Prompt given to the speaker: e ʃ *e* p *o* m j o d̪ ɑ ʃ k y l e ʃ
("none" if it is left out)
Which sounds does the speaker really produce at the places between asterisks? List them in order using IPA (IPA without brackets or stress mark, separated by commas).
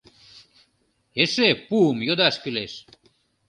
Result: e, u